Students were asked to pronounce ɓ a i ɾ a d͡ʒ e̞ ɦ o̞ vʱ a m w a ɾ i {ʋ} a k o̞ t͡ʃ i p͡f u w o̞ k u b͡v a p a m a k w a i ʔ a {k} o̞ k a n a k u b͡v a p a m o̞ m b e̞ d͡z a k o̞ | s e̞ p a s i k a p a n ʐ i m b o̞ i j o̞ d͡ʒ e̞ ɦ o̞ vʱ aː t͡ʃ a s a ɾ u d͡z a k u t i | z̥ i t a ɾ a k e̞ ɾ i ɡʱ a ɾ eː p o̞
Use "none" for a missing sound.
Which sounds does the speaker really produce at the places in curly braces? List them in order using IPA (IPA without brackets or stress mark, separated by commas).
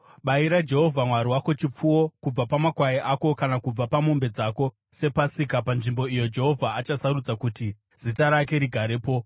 w, k